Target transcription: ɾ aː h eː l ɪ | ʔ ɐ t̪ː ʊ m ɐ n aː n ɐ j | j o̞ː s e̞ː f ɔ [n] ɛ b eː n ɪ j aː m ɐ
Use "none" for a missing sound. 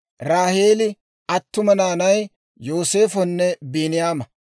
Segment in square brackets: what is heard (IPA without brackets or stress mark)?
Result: nː